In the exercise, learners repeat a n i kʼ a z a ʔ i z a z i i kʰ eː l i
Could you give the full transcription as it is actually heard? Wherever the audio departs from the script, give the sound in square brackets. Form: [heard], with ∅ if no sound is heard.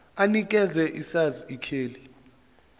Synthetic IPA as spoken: a n i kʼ [ɛ] z [ɛ] ʔ i [s] a z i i kʰ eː l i